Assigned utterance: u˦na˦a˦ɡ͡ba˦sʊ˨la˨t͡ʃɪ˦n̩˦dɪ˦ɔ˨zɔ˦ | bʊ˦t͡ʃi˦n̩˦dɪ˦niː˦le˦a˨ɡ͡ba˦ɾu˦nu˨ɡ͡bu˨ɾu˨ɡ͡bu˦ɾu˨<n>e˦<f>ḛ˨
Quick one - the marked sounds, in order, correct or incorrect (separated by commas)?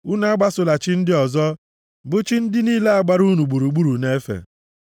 correct, correct